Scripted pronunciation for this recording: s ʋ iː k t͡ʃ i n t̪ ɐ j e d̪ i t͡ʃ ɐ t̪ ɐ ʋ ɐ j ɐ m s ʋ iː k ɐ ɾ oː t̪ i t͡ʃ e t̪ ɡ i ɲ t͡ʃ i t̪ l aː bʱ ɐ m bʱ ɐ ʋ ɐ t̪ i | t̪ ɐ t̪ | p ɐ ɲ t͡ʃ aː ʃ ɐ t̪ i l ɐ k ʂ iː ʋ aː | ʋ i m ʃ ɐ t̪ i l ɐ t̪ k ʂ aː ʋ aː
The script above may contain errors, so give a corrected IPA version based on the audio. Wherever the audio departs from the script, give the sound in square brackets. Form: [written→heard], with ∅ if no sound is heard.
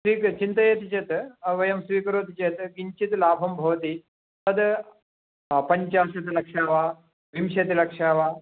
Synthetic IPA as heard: s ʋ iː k t͡ʃ i n t̪ ɐ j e [d̪→t̪] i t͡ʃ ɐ t̪ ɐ ʋ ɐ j ɐ m s ʋ iː k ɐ ɾ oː t̪ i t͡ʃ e t̪ ɡ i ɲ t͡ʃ i t̪ l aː bʱ ɐ m bʱ ɐ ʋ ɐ t̪ i | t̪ ɐ [t̪→d̪] | p ɐ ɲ t͡ʃ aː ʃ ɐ t̪ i l ɐ k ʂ [iː→aː] ʋ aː | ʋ i m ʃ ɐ t̪ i l ɐ [t̪→∅] k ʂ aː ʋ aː

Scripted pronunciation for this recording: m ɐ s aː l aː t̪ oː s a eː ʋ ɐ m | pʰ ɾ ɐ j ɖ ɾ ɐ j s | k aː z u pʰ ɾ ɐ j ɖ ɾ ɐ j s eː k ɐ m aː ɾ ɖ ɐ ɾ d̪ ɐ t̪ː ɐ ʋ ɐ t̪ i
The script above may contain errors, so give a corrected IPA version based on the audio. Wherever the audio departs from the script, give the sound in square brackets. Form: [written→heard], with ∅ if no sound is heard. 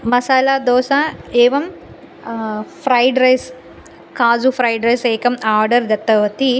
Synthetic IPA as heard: m ɐ s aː l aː [t̪→d̪] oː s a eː ʋ ɐ m | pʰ ɾ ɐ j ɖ ɾ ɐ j s | k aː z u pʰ ɾ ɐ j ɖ ɾ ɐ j s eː k ɐ m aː ɾ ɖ ɐ ɾ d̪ ɐ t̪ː ɐ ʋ ɐ t̪ i

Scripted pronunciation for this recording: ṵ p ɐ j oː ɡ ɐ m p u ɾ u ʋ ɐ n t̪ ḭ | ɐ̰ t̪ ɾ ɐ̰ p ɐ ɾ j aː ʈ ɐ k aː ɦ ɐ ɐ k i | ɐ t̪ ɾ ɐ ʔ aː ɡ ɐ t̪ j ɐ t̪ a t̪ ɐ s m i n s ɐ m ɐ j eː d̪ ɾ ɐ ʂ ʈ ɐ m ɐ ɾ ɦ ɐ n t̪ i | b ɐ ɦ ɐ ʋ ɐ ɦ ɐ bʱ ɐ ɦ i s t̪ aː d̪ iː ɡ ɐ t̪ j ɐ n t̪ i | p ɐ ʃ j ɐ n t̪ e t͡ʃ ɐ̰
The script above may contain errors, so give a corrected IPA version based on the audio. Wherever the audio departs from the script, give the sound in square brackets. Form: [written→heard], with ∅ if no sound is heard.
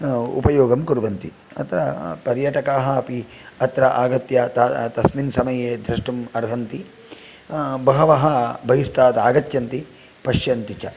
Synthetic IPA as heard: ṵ p ɐ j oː ɡ ɐ m [p→k] u ɾ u ʋ ɐ n t̪ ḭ | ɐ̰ t̪ ɾ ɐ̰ p ɐ ɾ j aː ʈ ɐ k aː ɦ ɐ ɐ [k→p] i | ɐ t̪ ɾ ɐ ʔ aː ɡ ɐ t̪ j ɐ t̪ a t̪ ɐ s m i n s ɐ m ɐ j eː d̪ ɾ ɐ ʂ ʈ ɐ m ɐ ɾ ɦ ɐ n t̪ i | b ɐ ɦ ɐ ʋ ɐ ɦ ɐ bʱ ɐ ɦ i s t̪ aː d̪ [iː→aː] ɡ ɐ t̪ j ɐ n t̪ i | p ɐ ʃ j ɐ n t̪ [e→i] t͡ʃ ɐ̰

